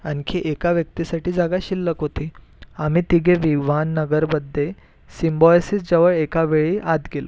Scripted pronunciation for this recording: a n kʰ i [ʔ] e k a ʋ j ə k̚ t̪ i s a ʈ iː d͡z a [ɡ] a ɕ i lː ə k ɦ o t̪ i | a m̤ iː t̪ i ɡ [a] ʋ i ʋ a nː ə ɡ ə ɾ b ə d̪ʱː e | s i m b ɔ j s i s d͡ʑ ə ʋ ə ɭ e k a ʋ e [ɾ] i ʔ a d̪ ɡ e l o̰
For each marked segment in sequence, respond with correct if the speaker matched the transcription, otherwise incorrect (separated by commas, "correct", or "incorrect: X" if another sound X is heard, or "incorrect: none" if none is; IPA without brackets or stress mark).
correct, correct, incorrect: e, incorrect: ɭ